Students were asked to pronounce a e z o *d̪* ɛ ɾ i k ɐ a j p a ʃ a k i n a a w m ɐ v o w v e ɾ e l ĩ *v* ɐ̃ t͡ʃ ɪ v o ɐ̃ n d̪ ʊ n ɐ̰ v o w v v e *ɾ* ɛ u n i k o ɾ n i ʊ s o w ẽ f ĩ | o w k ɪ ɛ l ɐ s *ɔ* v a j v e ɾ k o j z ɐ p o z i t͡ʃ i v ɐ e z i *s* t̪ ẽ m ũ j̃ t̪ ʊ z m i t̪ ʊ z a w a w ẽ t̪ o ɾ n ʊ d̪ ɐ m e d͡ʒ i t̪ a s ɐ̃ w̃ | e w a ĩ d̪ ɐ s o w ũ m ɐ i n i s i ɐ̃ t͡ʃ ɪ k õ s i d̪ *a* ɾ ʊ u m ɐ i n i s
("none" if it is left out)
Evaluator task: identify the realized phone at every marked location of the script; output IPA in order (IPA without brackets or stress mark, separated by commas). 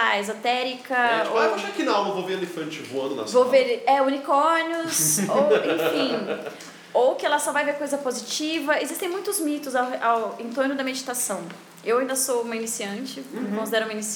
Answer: t̪, f, ɾ, ɔ, s, ɛ